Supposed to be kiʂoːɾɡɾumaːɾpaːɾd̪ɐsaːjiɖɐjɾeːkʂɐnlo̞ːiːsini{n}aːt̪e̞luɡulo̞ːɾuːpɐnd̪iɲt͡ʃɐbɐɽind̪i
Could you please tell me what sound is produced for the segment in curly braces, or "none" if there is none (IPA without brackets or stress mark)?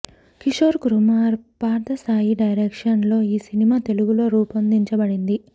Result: m